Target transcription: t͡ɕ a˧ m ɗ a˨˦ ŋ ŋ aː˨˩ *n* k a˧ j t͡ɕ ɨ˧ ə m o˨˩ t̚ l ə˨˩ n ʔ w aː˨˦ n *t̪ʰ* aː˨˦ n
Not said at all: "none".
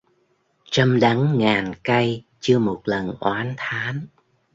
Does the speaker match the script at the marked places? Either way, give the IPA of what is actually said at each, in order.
n, t̪ʰ

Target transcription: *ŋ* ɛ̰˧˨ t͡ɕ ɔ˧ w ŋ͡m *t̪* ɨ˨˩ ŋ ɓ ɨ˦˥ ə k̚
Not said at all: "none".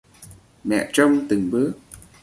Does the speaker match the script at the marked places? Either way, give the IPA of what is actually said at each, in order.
m, t̪

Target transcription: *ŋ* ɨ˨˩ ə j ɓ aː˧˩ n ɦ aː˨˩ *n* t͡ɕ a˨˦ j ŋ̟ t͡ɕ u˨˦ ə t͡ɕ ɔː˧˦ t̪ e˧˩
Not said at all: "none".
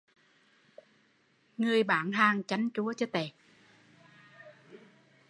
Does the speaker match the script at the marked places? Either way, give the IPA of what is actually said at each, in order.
ŋ, ŋ

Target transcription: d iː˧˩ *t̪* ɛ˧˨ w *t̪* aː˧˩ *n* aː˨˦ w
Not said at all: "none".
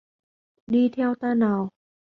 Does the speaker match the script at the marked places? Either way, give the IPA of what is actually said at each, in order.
t̪ʰ, t̪, n

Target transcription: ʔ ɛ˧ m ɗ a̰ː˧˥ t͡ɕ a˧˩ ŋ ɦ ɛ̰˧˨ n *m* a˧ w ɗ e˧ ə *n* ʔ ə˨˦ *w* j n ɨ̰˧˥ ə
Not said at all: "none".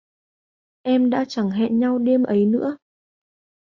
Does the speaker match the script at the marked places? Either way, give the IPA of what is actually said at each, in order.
ɲ, m, none

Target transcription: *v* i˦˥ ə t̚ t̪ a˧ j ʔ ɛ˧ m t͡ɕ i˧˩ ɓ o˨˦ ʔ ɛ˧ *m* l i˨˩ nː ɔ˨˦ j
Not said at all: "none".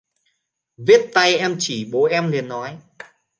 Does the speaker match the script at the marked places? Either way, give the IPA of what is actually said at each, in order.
v, m

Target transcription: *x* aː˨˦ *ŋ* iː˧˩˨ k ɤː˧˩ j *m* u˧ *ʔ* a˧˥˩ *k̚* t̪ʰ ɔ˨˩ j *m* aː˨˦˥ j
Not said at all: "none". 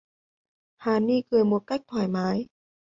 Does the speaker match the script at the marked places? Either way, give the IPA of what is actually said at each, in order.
h, n, m, k, k̚, m

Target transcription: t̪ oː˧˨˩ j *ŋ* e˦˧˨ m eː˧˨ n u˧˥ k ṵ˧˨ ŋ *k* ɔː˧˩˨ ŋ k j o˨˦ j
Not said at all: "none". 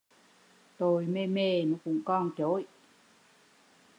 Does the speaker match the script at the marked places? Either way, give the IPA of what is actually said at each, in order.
m, k

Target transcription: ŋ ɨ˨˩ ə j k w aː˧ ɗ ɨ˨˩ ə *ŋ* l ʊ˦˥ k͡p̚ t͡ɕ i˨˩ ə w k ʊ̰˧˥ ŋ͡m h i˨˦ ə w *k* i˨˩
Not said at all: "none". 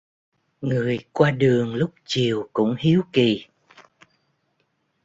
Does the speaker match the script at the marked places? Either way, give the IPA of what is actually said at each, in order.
ŋ, k

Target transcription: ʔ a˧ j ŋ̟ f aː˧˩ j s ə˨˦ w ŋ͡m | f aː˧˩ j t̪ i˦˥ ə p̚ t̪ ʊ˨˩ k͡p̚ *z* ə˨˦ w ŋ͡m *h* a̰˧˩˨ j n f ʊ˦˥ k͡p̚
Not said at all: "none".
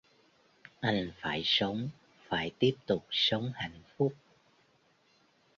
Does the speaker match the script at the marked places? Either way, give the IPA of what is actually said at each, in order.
s, h

